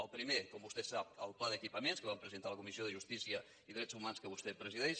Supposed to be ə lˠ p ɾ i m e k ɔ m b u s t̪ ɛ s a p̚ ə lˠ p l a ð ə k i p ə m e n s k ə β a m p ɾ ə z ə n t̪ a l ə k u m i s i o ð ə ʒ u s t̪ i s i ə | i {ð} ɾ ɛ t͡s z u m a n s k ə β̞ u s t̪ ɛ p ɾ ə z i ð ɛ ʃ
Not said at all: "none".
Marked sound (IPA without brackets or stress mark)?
ð